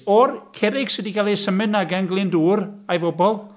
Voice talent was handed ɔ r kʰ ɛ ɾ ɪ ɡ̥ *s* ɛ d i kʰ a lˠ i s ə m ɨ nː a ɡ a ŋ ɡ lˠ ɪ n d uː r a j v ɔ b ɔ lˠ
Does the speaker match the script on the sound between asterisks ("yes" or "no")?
yes